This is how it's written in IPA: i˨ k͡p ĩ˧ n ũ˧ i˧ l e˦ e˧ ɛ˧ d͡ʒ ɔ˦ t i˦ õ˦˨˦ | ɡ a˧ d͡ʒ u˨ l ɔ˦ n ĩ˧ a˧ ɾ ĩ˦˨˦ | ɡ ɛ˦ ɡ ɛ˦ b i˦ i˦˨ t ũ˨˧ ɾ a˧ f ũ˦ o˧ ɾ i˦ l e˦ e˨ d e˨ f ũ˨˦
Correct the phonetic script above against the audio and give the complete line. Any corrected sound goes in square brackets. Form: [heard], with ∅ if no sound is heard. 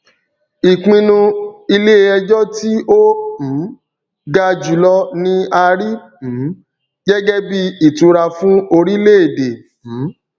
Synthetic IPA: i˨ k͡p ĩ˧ n ũ˧ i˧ l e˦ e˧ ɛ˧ d͡ʒ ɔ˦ t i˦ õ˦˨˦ | ɡ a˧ d͡ʒ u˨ l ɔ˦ n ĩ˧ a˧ ɾ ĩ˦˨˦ | ɡ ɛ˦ ɡ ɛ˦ b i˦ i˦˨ t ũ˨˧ ɾ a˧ f ũ˦ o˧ ɾ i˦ l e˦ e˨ d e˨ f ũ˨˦